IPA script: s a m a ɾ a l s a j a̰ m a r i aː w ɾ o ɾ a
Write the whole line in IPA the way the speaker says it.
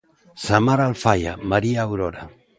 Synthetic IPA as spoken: s a m a ɾ a l f a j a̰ m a ɾ i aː w ɾ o ɾ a